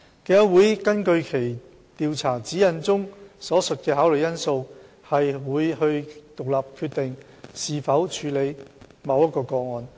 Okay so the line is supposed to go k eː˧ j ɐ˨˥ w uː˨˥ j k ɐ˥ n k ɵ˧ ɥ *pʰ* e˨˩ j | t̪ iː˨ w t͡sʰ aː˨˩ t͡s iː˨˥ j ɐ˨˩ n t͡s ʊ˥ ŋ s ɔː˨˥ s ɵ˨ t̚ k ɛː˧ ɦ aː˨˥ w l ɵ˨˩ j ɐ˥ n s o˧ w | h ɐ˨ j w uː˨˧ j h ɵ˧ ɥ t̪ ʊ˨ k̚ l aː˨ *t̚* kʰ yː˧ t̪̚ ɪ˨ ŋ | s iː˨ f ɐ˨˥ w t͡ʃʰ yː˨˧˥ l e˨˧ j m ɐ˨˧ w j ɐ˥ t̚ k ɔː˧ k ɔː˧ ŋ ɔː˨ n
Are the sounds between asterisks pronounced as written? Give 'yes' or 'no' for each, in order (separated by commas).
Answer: no, no